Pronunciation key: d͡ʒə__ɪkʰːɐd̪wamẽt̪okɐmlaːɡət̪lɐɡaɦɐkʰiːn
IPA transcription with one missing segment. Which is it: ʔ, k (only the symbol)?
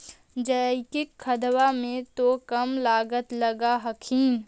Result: k